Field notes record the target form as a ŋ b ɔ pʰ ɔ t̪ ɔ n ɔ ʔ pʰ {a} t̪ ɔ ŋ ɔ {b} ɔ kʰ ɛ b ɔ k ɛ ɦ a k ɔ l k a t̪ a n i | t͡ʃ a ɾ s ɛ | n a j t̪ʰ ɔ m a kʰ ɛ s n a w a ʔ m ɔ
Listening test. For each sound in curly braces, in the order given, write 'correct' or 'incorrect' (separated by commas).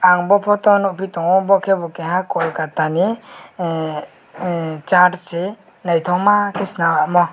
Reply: incorrect, correct